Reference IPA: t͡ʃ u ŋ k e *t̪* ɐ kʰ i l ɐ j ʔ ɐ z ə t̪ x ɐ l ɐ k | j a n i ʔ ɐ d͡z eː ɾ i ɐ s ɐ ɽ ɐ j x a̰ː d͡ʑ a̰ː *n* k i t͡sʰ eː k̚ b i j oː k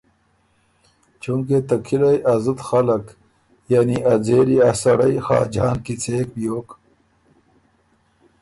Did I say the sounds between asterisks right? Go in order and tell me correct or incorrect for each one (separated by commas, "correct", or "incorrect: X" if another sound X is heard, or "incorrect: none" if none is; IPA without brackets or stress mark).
correct, correct